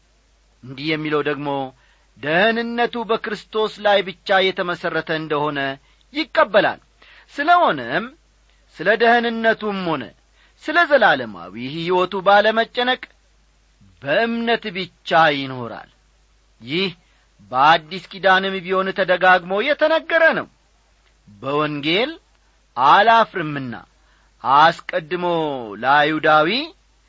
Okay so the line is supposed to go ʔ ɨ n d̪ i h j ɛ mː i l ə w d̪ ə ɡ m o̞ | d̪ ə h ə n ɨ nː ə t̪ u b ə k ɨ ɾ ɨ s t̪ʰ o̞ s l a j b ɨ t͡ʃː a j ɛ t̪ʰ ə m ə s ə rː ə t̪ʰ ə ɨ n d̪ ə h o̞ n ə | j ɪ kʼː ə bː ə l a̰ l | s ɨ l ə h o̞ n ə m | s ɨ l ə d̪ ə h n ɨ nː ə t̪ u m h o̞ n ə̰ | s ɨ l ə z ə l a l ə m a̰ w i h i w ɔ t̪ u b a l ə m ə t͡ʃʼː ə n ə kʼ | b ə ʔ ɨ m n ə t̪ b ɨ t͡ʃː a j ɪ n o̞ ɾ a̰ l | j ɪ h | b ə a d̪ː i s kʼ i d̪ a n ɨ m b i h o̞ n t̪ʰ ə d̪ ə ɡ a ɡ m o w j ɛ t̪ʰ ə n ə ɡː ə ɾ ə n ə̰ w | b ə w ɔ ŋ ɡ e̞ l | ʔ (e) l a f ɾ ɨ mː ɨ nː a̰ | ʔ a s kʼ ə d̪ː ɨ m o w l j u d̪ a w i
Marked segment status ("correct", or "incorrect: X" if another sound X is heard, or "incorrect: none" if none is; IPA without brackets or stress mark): incorrect: a